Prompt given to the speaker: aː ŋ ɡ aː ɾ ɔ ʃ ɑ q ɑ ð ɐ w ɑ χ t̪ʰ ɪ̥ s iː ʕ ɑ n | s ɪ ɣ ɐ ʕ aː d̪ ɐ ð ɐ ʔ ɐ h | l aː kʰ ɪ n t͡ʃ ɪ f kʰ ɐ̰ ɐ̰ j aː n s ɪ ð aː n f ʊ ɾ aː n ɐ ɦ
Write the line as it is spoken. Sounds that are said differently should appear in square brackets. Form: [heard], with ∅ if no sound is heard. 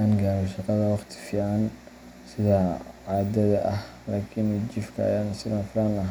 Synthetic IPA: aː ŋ ɡ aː ɾ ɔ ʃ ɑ q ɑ ð ɐ w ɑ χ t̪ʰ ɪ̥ [f] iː ʕ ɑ n | s ɪ [ð] ɐ ʕ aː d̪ ɐ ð ɐ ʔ ɐ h | l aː kʰ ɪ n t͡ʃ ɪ f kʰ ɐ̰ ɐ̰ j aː n s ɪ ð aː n f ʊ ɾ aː n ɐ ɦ